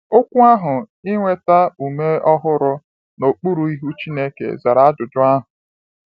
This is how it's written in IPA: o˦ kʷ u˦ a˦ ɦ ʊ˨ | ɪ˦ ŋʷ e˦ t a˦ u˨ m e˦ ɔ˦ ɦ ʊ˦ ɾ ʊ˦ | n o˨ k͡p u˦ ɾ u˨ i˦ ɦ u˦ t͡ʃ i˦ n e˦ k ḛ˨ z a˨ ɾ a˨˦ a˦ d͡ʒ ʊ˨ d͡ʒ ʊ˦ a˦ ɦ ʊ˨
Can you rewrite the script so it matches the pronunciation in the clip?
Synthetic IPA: o˦ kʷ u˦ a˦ ɦ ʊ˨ | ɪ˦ ŋʷ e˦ t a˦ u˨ m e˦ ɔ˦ ɦ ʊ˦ ɾ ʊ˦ | n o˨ k͡p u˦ ɾ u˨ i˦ ɦ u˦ t͡ʃ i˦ n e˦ k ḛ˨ z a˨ ɾ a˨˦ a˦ d͡ʒ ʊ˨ d͡ʒ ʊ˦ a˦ ɦ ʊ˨